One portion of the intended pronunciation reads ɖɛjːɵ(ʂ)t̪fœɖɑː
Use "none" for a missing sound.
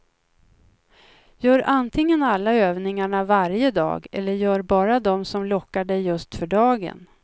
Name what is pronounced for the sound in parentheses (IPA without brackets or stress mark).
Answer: s